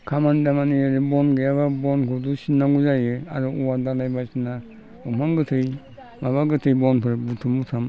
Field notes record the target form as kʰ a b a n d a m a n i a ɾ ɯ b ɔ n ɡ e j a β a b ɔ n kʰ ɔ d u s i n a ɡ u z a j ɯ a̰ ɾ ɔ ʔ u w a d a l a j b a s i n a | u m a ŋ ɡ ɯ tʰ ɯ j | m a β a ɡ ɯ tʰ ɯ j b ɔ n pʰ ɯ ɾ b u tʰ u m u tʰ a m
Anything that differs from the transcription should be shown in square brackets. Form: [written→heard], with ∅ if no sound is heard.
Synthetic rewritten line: kʰ a [b→m] a n d a m a n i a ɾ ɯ b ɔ n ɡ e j a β a b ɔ n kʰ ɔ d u s i n a ɡ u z a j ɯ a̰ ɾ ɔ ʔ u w a d a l a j b a s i n a | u m a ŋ ɡ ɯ tʰ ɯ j | m a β a ɡ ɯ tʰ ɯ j b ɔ n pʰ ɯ ɾ b u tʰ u m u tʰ a m

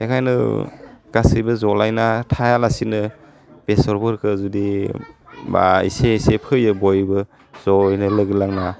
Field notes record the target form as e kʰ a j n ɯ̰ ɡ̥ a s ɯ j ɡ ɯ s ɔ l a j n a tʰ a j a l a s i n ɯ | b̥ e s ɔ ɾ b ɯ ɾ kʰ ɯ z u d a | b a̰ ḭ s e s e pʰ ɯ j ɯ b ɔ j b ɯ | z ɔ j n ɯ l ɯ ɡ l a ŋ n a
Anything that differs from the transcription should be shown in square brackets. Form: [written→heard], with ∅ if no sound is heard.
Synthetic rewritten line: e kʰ a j n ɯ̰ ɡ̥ a s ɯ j [ɡ→b] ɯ [s→z] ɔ l a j n a tʰ a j a l a s i n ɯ | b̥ e s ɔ ɾ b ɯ ɾ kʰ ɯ z u d [a→i] | b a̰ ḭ s e s e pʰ ɯ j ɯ b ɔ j b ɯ | z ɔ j n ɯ l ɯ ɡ l a ŋ n a

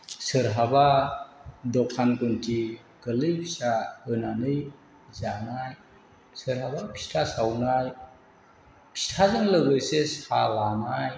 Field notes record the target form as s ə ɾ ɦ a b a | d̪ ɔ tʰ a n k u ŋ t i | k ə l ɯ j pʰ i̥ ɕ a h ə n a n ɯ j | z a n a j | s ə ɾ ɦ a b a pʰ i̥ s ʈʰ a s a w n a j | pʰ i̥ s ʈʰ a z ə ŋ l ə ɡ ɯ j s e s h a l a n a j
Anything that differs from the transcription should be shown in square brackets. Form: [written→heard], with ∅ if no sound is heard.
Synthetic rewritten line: s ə ɾ ɦ a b a | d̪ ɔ [tʰ→kʰ] a n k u [ŋ→n] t i | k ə l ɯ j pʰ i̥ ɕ a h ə n a n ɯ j | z a n a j | s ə ɾ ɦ a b a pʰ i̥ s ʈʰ a s a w n a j | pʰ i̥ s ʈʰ a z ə ŋ l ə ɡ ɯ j s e s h a l a n a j

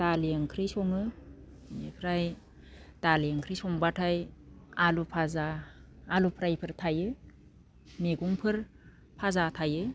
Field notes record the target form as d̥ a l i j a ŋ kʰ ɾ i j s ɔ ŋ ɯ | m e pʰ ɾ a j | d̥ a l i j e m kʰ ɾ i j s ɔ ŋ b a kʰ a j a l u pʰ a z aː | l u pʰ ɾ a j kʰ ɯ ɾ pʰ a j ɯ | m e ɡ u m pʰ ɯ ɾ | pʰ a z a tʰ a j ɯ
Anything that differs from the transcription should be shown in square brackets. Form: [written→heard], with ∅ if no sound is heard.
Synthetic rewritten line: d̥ a l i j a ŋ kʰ ɾ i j s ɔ ŋ ɯ | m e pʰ ɾ a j | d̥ a l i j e [m→ŋ] kʰ ɾ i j s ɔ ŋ b a [kʰ→tʰ] a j a l u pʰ a z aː | l u pʰ ɾ a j [kʰ→pʰ] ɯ ɾ [pʰ→tʰ] a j ɯ | m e ɡ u [m→ŋ] pʰ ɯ ɾ | pʰ a z a tʰ a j ɯ

